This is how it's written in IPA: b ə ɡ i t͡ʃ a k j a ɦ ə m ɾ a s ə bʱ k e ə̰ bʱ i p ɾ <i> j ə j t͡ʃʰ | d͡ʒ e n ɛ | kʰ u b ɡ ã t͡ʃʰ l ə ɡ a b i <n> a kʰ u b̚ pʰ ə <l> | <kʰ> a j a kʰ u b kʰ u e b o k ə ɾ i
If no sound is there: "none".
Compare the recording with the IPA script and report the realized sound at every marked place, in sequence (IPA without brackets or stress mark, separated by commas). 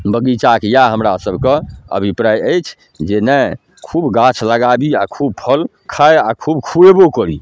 a, none, l, kʰ